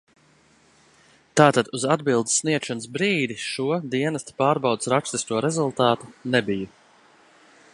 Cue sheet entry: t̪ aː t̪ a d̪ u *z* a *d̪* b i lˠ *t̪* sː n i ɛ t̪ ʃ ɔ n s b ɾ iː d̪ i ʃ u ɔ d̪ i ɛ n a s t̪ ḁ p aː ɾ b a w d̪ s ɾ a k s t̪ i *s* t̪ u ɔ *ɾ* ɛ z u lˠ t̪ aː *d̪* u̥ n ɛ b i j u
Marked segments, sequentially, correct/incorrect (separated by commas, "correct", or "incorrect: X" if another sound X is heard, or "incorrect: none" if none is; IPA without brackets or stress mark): correct, correct, incorrect: d̪, correct, correct, incorrect: t̪